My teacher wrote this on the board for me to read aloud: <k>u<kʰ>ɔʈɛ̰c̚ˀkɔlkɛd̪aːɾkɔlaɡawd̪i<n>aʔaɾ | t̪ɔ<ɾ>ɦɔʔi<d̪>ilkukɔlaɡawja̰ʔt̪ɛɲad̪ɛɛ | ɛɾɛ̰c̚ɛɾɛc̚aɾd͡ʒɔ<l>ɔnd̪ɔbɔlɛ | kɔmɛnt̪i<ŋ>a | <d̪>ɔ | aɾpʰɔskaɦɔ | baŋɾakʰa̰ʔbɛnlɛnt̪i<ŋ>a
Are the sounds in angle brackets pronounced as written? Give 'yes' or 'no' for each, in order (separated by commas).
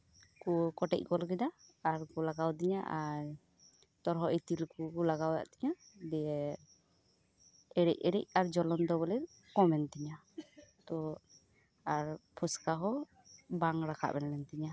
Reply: yes, no, no, yes, no, yes, no, no, no